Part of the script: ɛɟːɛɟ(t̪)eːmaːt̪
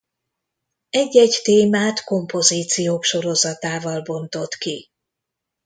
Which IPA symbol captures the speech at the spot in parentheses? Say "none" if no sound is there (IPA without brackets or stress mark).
t̪